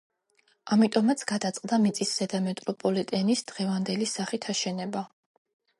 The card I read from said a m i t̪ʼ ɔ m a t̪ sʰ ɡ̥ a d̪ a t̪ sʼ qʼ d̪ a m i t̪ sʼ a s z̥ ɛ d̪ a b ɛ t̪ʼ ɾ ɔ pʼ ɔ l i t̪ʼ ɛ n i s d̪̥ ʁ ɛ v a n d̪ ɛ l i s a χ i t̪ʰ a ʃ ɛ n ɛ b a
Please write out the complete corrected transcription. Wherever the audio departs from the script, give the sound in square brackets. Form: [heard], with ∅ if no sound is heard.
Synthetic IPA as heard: a m i t̪ʼ ɔ m a t̪ sʰ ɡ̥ a d̪ a t̪ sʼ qʼ d̪ a m i t̪ sʼ [i] s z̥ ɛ d̪ a [m] ɛ t̪ʼ ɾ ɔ pʼ ɔ l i t̪ʼ ɛ n i s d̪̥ ʁ ɛ v a n d̪ ɛ l i s a χ i t̪ʰ a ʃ ɛ n ɛ b a